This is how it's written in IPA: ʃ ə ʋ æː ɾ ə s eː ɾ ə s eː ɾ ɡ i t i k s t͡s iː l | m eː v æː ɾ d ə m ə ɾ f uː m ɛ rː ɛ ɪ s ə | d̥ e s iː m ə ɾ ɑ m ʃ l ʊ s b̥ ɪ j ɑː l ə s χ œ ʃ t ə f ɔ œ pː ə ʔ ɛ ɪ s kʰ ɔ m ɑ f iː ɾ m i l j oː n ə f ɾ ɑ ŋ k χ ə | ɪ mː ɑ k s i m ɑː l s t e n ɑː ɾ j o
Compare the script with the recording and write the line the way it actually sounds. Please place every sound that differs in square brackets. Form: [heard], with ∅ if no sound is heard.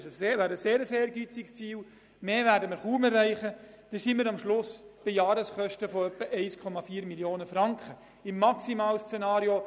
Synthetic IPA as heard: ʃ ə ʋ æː ɾ ə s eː ɾ ə s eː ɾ ɡ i [t͡s] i k s t͡s iː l | m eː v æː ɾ d ə m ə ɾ [χ] uː m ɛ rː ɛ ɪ [χ] ə | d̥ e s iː m ə ɾ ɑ m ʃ l ʊ s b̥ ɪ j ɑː [ɾ] ə s χ œ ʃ t ə f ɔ œ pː ə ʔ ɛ ɪ s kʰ ɔ m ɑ f iː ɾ m i l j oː n ə f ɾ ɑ ŋ k χ ə | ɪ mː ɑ k s i m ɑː l s [t͡s] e n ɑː ɾ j o